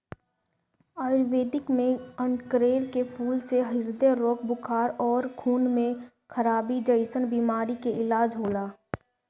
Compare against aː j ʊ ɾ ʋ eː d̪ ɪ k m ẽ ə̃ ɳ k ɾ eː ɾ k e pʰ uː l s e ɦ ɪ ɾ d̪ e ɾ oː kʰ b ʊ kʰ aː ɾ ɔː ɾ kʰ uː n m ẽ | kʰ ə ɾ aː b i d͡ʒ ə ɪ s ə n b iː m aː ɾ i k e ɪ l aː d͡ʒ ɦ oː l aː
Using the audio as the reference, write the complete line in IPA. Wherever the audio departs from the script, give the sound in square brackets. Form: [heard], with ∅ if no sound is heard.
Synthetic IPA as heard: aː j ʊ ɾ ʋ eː d̪ ɪ k m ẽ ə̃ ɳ k ɾ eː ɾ k e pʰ uː l s e ɦ ɪ ɾ d̪ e ɾ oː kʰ b ʊ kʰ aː ɾ ɔː ɾ kʰ uː n m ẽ | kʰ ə ɾ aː b i d͡ʒ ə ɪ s ə n b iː m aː ɾ i k e ɪ l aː d͡ʒ ɦ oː l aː